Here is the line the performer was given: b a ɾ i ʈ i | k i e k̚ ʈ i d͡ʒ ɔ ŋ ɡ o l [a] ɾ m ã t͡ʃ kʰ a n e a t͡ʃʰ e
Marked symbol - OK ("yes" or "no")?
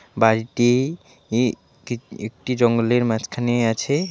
no